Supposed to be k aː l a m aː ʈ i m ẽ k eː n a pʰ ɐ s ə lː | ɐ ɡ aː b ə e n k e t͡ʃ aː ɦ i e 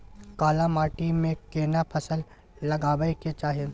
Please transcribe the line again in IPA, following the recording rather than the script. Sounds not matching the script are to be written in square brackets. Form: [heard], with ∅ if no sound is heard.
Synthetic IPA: k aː l a m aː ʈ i m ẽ k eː n a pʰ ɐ s ə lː | ɐ ɡ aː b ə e [∅] k e t͡ʃ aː ɦ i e